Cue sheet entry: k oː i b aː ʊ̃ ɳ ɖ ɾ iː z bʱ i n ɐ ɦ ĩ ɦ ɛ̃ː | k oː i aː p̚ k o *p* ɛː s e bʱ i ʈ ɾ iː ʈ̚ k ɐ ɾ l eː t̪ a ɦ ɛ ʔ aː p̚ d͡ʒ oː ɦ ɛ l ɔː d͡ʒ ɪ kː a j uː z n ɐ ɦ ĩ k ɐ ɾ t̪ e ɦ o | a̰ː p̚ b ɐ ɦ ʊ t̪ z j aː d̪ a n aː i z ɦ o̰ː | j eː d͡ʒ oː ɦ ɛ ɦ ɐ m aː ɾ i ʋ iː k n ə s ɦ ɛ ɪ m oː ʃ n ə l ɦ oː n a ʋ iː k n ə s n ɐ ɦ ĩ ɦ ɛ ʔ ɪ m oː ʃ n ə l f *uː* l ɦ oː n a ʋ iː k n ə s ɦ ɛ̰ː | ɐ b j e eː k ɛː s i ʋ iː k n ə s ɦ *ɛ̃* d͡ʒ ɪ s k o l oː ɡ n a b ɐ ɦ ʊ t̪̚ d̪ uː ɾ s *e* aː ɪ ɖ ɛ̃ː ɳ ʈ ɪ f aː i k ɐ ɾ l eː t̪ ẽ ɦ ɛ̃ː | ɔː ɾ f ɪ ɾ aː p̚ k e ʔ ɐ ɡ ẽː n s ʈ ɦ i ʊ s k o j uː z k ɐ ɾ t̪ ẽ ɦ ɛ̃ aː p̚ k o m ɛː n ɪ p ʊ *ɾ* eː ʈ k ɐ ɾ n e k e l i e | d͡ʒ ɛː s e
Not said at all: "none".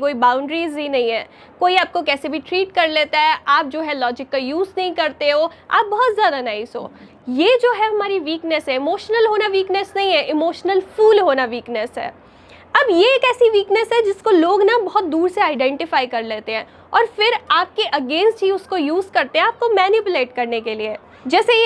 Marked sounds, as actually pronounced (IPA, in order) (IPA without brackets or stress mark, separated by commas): k, uː, ɛ, e, l